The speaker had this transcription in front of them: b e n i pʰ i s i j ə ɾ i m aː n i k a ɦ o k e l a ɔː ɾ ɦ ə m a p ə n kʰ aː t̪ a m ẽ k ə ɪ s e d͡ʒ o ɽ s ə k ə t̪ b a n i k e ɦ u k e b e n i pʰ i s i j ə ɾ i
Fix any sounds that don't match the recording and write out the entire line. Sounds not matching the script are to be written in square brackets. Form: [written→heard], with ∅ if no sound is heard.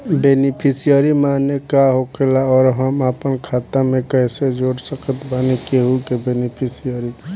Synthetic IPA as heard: b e n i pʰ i s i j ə ɾ i m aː n [i→e] k a ɦ o k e l a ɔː ɾ ɦ ə m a p ə n kʰ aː t̪ a m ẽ k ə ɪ s e d͡ʒ o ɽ s ə k ə t̪ b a n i k e ɦ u k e b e n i pʰ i s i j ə ɾ i